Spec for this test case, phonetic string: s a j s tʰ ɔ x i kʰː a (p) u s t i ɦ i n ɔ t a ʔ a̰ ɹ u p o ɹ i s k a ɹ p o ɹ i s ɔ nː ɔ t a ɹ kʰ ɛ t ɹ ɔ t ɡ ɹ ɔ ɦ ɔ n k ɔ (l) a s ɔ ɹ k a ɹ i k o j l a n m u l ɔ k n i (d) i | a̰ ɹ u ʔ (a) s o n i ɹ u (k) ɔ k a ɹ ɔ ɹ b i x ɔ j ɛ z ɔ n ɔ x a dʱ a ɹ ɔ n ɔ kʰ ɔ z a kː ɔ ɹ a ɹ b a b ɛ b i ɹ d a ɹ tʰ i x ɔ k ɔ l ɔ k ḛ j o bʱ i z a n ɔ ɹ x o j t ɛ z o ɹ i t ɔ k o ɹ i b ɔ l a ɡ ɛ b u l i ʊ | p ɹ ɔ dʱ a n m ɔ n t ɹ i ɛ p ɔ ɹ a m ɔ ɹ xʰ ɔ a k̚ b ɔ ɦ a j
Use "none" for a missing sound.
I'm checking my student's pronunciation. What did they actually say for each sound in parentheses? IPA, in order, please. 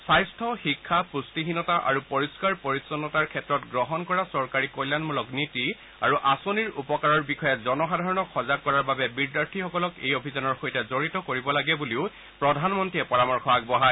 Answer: p, ɹ, t, a, p

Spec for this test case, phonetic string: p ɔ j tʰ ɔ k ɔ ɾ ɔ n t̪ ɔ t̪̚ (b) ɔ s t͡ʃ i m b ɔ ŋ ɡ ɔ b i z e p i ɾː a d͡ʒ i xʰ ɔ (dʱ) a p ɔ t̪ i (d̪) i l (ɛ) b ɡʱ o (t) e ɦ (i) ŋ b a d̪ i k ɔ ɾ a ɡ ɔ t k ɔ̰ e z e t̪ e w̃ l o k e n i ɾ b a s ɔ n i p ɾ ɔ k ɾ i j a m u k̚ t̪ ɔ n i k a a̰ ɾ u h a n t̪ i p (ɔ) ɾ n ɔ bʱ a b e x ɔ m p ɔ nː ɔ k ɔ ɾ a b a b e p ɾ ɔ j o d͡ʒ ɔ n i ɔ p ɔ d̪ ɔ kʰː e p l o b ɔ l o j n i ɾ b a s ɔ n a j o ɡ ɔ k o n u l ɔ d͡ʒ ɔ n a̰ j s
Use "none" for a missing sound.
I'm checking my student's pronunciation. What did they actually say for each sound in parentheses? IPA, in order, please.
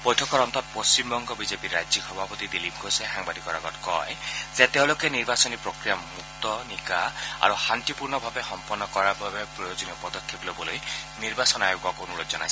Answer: p, bʱ, d̪, i, s, a, u

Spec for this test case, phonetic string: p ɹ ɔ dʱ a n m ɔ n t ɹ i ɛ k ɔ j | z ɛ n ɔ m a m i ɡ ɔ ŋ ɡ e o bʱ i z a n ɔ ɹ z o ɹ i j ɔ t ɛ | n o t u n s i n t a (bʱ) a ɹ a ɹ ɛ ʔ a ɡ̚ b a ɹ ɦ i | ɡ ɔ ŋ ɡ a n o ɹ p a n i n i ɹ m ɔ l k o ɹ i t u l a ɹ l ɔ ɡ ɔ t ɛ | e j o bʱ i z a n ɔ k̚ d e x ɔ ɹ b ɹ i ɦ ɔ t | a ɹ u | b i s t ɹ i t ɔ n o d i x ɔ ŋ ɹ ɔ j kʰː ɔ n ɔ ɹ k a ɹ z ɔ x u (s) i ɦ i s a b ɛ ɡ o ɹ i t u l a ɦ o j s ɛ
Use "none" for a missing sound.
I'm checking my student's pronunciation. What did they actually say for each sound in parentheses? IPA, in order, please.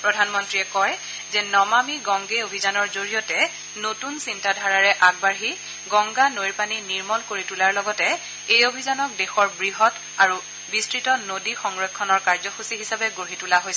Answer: dʱ, s

